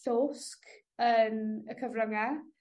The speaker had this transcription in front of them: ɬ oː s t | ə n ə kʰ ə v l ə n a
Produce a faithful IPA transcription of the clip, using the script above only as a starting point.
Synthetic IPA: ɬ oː s k | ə n ə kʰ ə v r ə ŋ a